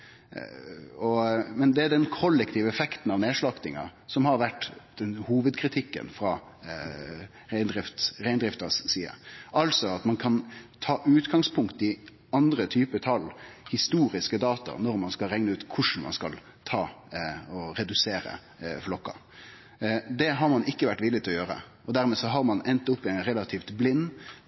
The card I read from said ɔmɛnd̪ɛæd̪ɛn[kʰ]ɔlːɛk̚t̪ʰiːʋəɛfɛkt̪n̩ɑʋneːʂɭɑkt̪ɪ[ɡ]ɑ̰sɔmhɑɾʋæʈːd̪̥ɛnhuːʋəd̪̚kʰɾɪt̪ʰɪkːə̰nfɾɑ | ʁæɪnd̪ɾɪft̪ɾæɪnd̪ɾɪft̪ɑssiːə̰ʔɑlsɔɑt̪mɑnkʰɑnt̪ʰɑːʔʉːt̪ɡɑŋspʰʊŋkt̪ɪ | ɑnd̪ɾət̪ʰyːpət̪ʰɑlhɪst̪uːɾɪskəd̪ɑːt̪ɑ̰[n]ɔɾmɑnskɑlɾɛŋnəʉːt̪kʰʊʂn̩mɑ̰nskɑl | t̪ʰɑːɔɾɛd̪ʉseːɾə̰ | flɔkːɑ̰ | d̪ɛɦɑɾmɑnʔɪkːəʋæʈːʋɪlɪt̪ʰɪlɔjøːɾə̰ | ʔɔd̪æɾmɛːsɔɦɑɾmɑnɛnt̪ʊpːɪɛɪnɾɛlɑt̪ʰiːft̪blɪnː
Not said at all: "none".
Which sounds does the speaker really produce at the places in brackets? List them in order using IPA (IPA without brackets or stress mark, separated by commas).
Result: kʰ, ŋ, n